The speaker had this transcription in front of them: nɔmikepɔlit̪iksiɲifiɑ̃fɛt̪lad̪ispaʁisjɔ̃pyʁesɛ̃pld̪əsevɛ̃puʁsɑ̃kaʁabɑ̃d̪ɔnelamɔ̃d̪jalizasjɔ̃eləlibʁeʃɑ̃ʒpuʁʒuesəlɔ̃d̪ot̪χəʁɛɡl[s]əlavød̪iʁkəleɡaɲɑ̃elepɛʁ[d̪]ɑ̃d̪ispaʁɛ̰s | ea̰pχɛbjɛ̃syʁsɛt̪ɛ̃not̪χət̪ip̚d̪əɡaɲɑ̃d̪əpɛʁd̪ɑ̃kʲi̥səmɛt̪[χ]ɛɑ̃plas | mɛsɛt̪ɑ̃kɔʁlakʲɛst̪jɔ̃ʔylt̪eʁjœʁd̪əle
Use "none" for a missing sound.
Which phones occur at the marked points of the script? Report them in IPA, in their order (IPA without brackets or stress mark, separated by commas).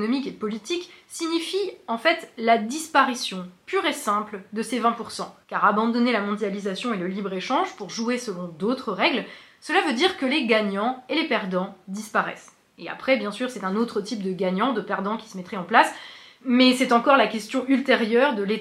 s, d̪, χ